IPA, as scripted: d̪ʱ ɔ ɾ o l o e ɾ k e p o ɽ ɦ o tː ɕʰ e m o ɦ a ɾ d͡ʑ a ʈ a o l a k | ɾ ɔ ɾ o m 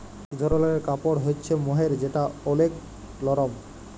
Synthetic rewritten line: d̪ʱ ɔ ɾ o l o e ɾ k a p o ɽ ɦ o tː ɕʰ e m o ɦ e ɾ d͡ʑ e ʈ a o l e k | l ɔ ɾ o m